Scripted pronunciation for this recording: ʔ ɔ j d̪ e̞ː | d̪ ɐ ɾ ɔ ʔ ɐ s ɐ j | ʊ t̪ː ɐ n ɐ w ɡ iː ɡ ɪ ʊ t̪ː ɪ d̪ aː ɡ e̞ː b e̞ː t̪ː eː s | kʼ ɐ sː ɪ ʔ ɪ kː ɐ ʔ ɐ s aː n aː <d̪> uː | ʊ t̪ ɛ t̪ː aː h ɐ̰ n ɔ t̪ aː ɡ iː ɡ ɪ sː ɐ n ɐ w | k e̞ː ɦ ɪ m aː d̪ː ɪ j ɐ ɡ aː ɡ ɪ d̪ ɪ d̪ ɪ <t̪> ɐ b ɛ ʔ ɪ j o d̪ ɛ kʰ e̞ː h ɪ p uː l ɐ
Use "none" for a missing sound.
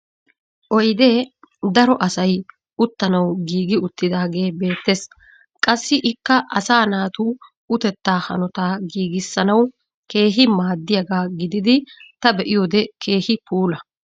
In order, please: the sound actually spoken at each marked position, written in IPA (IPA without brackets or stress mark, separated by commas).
t̪, t̪